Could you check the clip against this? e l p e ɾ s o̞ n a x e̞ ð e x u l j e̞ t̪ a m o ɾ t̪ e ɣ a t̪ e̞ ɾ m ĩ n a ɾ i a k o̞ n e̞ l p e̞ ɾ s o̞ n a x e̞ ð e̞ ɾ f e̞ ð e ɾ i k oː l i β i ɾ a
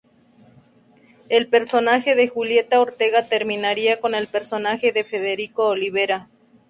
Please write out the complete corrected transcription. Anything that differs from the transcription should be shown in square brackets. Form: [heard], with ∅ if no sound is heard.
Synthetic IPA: e l p e ɾ s o̞ n a x e̞ ð e x u l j e̞ t̪ a [∅] o ɾ t̪ e ɣ a t̪ e̞ ɾ m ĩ n a ɾ i a k o̞ n e̞ l p e̞ ɾ s o̞ n a x e̞ ð e̞ [∅] f e̞ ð e ɾ i k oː l i β [e] ɾ a